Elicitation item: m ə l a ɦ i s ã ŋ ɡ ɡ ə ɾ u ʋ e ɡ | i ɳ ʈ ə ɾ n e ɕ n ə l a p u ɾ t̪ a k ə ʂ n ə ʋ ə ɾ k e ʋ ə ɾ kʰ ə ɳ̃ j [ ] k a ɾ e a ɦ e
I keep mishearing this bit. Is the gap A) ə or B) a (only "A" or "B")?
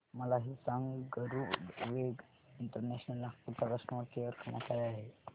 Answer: B